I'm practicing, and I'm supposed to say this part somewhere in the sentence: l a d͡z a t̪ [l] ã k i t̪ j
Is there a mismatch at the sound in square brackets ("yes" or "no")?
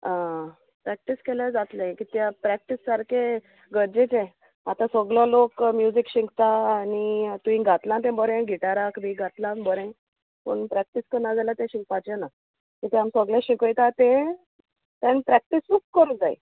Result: no